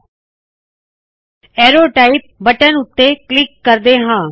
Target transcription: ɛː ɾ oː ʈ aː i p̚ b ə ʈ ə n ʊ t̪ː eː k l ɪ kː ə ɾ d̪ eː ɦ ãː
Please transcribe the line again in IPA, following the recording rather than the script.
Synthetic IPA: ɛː ɾ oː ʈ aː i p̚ b ə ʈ ə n ʊ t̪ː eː k l ɪ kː ə ɾ d̪ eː ɦ ãː

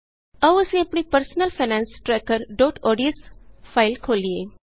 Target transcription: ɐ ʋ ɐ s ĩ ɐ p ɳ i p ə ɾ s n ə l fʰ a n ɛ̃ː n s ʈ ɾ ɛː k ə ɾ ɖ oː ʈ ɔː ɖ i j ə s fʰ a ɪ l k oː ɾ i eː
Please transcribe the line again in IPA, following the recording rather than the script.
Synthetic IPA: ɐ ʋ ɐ s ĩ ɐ p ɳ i p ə ɾ s n ə l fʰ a n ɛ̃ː n s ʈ ɾ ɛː k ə ɾ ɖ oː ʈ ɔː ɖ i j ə s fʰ a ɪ l kʰ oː l i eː

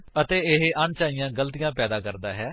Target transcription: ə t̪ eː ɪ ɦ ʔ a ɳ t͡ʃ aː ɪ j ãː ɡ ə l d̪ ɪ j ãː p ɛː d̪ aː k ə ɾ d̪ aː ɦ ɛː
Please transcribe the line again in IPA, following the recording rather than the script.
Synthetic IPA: ə t̪ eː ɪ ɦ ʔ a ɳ t͡ʃ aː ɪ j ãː ɡ ə l t̪ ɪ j ãː p ɛː d̪ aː k ə ɾ d̪ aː ɦ ɛː

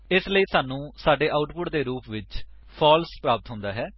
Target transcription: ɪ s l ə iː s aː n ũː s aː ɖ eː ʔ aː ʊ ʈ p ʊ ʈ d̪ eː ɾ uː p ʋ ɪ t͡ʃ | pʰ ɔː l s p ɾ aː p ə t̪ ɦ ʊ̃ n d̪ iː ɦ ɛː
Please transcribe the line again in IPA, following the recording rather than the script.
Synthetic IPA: ɪ s l ə iː s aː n ũː s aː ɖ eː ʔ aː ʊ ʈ p ʊ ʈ d̪ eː ɾ uː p ʋ ɪ t͡ʃ | pʰ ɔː l s p ɾ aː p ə t̪ ɦ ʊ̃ n d̪ aː ɦ ɛː

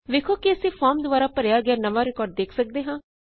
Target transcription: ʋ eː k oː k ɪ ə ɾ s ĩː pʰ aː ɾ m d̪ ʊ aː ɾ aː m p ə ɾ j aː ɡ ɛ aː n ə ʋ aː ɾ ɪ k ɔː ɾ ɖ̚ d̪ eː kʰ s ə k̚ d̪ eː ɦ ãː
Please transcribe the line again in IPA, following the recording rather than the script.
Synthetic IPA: ʋ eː kʰ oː k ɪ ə s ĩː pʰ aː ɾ m d̪ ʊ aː ɾ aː p ə ɾ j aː ɡ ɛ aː n ə ʋ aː ɾ ɪ k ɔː ɾ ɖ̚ d̪ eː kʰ s ə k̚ d̪ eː ɦ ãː

